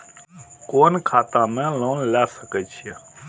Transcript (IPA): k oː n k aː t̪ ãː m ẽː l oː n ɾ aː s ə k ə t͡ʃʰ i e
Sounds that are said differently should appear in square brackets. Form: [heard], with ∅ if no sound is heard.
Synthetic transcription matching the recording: k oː n [kʰ] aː t̪ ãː m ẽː l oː n [l] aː s ə k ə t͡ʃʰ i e